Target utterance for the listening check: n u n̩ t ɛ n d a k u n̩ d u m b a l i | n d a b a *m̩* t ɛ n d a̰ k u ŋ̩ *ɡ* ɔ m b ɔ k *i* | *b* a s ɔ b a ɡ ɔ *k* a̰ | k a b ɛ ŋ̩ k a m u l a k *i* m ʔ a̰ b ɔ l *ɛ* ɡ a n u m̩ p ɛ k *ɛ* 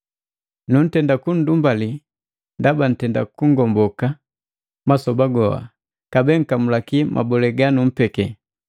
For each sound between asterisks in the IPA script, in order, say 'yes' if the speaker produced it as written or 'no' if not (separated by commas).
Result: no, yes, no, no, no, yes, yes, yes